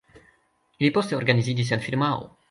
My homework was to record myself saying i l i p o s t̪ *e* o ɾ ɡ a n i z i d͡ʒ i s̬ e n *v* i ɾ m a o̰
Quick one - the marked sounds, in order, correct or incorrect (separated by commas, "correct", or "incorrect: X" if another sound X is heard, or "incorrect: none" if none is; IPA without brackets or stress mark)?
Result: correct, incorrect: f